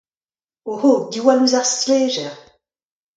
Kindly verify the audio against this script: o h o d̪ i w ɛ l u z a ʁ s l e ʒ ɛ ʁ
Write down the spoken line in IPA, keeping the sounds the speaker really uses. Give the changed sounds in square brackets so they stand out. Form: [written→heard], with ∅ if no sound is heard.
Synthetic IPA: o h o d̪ i w [ɛ→a] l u z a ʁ s l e ʒ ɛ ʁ